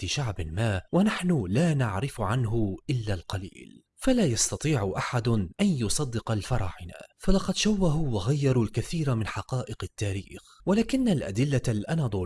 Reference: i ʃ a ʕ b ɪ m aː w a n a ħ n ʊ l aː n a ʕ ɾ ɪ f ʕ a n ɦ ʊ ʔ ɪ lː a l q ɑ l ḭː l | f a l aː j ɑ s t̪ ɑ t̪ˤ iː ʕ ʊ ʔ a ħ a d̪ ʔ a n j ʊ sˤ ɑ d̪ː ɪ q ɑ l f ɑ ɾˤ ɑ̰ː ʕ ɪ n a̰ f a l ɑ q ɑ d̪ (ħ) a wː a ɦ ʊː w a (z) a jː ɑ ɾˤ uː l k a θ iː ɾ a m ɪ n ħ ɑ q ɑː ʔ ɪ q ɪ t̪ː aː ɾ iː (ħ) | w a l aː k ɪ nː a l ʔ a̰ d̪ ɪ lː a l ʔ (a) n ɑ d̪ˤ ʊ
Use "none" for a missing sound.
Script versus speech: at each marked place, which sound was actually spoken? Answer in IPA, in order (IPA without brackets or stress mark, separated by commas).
ʃ, ɣ, x, a